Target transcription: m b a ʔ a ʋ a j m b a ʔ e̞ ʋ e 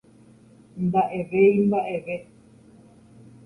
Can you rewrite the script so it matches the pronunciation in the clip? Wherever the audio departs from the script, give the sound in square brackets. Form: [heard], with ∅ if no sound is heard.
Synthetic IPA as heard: m b a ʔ [e] ʋ [e] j m b a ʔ e̞ ʋ e